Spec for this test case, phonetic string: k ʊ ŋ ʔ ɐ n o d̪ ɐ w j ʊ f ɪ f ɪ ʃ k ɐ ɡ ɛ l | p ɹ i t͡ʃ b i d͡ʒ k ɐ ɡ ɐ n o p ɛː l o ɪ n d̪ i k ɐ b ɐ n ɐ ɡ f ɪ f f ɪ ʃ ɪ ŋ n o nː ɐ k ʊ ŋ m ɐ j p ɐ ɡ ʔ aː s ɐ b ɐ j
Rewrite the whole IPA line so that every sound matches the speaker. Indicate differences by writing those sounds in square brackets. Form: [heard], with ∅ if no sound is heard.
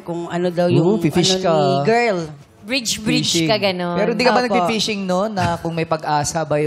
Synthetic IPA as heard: k ʊ ŋ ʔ ɐ n o d̪ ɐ w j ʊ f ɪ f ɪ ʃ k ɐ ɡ ɛ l | [b] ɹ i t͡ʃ b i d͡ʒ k ɐ ɡ ɐ n o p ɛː [ɾ] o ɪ n d̪ i k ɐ b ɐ n ɐ ɡ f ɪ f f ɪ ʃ ɪ ŋ n o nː ɐ k ʊ ŋ m ɐ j p ɐ ɡ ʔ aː s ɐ b ɐ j